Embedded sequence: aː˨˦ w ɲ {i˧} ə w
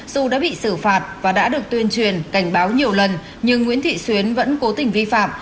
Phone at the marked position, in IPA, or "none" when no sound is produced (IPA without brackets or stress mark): i˨˩